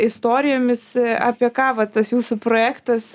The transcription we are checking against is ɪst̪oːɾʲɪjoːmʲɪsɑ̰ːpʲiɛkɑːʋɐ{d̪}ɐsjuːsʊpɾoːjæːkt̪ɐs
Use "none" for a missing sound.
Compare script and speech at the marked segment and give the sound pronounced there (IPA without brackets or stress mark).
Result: t̪